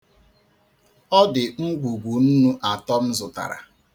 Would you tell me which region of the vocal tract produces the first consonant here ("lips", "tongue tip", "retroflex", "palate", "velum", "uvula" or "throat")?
tongue tip